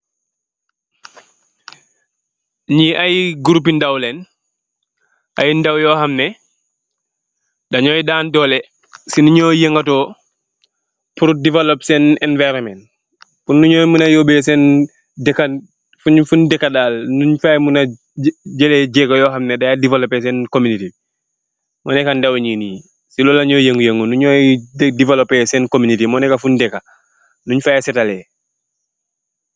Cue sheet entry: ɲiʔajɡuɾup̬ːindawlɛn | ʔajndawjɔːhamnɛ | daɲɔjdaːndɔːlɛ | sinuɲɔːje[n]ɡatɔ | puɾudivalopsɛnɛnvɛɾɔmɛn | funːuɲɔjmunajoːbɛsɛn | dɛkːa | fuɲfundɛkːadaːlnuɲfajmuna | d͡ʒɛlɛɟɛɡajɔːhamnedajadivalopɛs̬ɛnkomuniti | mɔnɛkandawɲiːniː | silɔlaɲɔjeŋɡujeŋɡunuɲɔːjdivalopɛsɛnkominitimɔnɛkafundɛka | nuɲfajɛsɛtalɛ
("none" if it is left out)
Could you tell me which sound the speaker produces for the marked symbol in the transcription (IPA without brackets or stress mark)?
ŋ